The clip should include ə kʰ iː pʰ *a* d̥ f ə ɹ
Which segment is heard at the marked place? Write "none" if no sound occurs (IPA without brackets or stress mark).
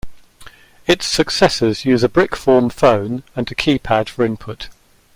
a